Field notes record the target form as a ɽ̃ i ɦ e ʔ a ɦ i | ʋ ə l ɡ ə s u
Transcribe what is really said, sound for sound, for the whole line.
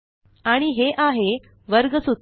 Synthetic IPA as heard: a ɽ̃ i ɦ e ʔ a ɦ e | ʋ ə ɾ ɡ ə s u

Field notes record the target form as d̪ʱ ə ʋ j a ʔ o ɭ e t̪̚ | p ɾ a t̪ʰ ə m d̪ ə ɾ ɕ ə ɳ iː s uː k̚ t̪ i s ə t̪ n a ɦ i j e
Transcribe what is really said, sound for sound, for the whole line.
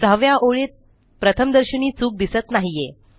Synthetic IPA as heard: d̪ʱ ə ʋ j a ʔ o ɭ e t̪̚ | p ɾ ə t̪ʰ ə m d̪ ə ɾ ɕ ə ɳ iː t͡s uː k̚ d̪ i s ə t̪ n a ɦ i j e

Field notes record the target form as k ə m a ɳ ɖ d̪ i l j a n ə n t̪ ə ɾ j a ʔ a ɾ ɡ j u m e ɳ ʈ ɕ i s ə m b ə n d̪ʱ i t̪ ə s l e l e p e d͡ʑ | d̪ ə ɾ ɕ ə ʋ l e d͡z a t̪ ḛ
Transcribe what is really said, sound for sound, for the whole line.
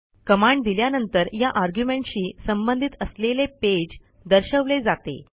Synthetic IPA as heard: k ə m a ɳ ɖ d̪ i l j a n ə n t̪ ə ɾ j a ʔ a ɾ ɡ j u m e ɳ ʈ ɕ iː s ə m b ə n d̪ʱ i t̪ ə s l e l e p e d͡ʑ | d̪ ə ɾ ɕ ə ʋ l e d͡z a t̪ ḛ

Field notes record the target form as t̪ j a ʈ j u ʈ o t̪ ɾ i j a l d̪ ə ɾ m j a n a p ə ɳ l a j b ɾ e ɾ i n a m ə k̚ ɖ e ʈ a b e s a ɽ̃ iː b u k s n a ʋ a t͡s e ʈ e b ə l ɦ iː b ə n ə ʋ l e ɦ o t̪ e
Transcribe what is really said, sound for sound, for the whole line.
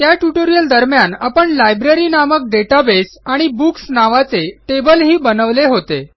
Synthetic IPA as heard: t̪ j a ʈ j u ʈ o ɾ i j ə l d̪ ə ɾ m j a n a p ə ɳ l a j b ɾ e ɾ i n a m ə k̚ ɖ e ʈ a b e s a ɽ̃ i b u k s n a ʋ a t͡s e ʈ e b ə l ɦ iː b ə n ə ʋ l e ɦ o t̪ e

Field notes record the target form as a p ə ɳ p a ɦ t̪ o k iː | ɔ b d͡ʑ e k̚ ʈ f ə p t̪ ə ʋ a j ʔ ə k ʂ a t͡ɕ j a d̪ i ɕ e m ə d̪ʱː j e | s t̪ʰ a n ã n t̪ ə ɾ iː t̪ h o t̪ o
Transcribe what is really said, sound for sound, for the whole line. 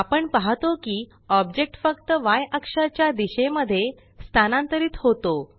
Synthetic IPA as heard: a p ə ɳ p a ɦ t̪ o k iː | ɔ b d͡ʑ e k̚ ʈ f ə k t̪ ə ʋ a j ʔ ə k ʂ a t͡ɕ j a d̪ i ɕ e m ə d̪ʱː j e | s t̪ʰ a n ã n t̪ ə ɾ iː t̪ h o t̪ o

